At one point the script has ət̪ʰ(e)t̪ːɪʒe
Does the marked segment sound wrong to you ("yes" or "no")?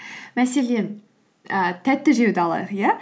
yes